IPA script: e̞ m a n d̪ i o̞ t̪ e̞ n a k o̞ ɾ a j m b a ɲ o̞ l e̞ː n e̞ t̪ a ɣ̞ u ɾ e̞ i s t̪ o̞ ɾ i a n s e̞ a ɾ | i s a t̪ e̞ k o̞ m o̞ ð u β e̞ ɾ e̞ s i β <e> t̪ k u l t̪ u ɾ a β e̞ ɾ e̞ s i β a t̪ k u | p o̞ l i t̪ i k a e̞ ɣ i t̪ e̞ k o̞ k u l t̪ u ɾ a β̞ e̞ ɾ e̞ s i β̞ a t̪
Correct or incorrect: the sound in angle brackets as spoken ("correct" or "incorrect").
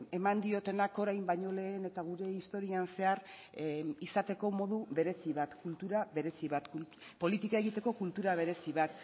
incorrect